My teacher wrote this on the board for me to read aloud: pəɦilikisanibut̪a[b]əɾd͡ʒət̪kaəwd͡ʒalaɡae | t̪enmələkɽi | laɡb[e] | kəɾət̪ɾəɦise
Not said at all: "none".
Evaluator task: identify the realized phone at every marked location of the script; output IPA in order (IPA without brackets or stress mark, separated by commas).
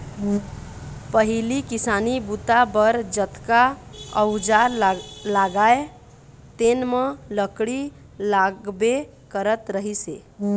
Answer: b, e